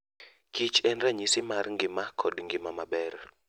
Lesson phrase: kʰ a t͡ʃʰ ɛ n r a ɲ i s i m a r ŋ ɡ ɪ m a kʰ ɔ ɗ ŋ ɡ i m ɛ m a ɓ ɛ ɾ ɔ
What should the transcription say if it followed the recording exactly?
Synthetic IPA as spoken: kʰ i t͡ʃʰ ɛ n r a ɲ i s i m a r ŋ ɡ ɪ m a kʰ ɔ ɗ ŋ ɡ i m a m a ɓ ɛ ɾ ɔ